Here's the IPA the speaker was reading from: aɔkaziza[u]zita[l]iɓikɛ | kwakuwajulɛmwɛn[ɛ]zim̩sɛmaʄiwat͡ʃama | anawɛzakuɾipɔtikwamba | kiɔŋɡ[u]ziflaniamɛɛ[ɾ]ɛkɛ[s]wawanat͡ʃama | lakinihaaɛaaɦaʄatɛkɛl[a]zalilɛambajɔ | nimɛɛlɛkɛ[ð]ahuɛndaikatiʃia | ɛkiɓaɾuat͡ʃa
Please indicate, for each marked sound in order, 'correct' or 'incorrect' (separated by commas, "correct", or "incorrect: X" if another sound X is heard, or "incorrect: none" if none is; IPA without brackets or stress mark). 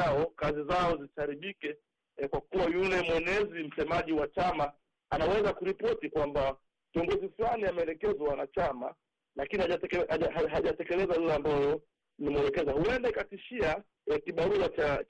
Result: incorrect: ɔ, incorrect: ɾ, correct, incorrect: ɔ, incorrect: l, incorrect: z, incorrect: ɛ, incorrect: z